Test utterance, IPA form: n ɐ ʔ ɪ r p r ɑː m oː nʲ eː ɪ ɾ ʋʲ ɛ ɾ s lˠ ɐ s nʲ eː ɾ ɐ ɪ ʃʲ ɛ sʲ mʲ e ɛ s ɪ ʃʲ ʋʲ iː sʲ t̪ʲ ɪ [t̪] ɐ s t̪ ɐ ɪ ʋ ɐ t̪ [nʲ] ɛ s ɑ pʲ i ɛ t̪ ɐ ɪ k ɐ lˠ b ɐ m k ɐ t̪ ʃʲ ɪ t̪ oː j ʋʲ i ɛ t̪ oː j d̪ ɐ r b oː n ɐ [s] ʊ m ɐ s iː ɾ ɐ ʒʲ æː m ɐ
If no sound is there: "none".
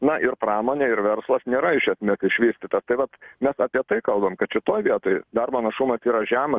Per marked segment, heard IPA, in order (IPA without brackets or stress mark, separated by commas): t̪, mʲ, ʃ